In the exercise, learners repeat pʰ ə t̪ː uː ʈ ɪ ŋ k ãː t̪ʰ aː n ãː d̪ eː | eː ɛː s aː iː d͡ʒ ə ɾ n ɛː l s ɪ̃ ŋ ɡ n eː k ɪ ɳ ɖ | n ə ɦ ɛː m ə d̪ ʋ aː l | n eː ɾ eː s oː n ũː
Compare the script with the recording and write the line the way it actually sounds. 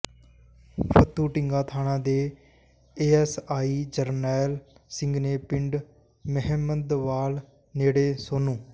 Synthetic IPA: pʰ ə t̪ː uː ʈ ɪ ŋ ɡ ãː t̪ʰ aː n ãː d̪ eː | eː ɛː s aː iː d͡ʒ ə ɾ n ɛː l s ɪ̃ ŋ ɡ n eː p ɪ ɳ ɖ | m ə ɦ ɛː m ə d̪ ʋ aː l | n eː ɽ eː s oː n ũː